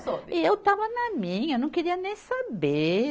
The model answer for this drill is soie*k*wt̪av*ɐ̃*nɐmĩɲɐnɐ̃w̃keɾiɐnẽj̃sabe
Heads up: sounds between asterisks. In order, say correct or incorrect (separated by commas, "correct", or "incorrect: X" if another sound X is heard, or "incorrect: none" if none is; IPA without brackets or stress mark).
incorrect: none, incorrect: ɐ